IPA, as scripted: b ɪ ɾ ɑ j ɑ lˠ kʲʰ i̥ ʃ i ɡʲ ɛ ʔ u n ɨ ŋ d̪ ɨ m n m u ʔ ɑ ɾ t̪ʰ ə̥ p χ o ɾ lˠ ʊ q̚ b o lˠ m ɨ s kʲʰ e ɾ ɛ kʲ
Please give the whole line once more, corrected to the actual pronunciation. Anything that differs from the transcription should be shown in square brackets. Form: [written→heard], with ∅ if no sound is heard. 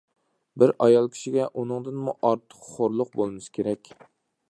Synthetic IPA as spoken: b ɪ ɾ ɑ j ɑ lˠ kʲʰ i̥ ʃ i ɡʲ ɛ ʔ u n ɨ ŋ d̪ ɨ [m→∅] n m u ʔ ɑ ɾ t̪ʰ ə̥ [p→q] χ o ɾ lˠ ʊ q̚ b o lˠ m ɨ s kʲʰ e ɾ ɛ kʲ